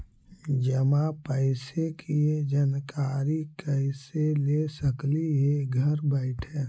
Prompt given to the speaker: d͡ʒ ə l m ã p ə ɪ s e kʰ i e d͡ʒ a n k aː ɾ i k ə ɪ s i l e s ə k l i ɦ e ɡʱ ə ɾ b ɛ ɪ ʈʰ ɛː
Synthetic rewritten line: d͡ʒ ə m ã p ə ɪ s e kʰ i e d͡ʒ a n k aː ɾ i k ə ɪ s e l e s ə k l i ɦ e ɡʱ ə ɾ b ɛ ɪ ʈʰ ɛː